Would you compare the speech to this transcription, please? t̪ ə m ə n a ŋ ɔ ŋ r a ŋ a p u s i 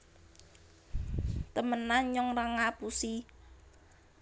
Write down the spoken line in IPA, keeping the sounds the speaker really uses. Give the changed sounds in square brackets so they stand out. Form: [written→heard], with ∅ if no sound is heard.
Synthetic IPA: t̪ ə m ə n a [ŋ→ɲ] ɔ ŋ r a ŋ a p u s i